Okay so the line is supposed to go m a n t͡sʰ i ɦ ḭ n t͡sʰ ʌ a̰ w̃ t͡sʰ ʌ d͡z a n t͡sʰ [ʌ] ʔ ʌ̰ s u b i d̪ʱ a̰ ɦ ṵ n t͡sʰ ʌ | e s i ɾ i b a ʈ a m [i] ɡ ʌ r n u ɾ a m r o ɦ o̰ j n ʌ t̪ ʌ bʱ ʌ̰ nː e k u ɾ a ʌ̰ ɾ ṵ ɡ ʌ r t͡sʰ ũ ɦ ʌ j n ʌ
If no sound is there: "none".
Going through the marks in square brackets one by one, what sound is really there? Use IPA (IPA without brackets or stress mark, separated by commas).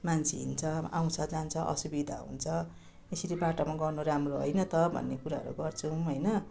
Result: ʌ, a